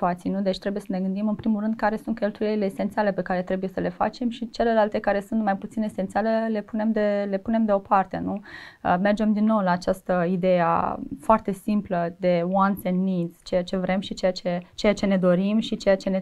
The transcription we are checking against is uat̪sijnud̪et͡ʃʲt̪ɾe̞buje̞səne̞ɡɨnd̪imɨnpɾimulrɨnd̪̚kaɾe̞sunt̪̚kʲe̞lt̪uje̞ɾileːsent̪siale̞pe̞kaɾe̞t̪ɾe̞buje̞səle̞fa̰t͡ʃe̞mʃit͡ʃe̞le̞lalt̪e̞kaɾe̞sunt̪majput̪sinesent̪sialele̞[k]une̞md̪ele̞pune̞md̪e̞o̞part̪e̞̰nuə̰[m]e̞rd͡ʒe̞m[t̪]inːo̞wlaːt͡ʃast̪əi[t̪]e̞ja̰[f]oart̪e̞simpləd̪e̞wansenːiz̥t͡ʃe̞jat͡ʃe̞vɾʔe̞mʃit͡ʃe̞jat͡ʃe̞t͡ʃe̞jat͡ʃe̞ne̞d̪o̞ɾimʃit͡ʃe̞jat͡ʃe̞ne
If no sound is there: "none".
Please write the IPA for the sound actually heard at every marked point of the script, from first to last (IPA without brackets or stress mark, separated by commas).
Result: p, m, d̪, d̪, f